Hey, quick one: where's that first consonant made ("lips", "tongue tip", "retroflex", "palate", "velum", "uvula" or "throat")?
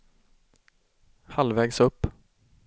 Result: throat